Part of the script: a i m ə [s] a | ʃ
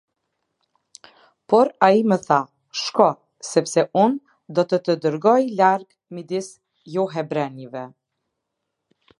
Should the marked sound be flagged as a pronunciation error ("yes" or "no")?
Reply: yes